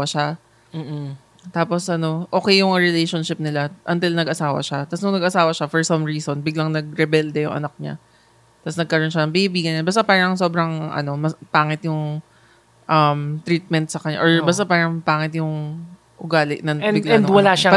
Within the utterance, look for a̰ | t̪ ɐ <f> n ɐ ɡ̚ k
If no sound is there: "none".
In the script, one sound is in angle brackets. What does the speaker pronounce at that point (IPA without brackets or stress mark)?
s